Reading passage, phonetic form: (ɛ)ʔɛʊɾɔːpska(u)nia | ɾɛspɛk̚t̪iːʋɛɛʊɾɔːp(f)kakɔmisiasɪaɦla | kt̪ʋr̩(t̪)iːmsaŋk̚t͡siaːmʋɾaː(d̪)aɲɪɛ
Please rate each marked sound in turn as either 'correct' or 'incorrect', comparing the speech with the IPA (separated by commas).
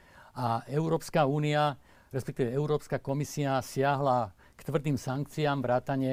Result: incorrect, incorrect, incorrect, incorrect, incorrect